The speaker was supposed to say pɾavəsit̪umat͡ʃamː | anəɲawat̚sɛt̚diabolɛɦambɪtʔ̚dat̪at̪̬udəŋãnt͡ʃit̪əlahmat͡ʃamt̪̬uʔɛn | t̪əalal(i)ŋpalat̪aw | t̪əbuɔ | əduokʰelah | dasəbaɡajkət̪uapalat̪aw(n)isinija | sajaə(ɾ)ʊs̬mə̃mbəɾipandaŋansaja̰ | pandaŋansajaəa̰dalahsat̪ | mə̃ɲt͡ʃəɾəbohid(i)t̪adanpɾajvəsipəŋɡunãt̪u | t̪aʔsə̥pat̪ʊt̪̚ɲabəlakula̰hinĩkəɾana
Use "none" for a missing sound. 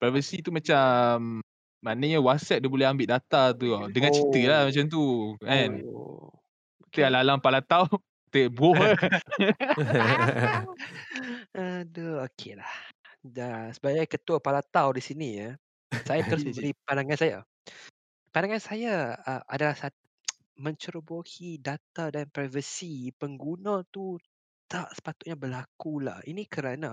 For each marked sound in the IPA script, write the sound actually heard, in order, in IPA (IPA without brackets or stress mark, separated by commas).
a, d, ɾ, a